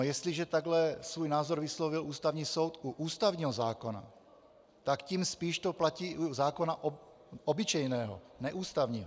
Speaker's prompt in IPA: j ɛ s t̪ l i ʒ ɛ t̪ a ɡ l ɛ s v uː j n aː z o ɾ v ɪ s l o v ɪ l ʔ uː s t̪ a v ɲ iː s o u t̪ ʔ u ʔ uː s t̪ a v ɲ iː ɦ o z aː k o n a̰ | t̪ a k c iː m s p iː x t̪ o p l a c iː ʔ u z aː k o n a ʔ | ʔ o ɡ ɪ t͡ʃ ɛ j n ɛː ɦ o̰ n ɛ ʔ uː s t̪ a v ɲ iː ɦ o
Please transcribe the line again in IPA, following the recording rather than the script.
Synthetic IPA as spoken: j ɛ s t̪ l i ʒ ɛ t̪ a ɡ l ɛ s v uː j n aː z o ɾ v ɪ s l o v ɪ l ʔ uː s t̪ a v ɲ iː s o w t̪ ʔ u ʔ uː s t̪ a v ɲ iː ɦ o z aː k o n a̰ | t̪ a k c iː m s p iː ʃ t̪ o p l a c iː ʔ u z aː k o n a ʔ | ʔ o b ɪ t͡ʃ ɛ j n ɛː ɦ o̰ n ɛ ʔ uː s t̪ a v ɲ iː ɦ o